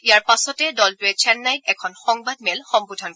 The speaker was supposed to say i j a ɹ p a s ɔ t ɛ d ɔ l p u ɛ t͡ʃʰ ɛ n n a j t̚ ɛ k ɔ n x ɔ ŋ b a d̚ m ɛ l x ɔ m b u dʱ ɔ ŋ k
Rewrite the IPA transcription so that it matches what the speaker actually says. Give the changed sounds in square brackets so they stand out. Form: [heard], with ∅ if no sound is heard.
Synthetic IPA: i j a ɹ p a s ɔ t ɛ d ɔ l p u ɛ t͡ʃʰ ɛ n n a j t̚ ɛ [kʰ] ɔ n x ɔ ŋ b a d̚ m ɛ l x ɔ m b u dʱ ɔ [n] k